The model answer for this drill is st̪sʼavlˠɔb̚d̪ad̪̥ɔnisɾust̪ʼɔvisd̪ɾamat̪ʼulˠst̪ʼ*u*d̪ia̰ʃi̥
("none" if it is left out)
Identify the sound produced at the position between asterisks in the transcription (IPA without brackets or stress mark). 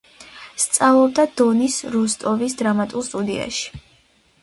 u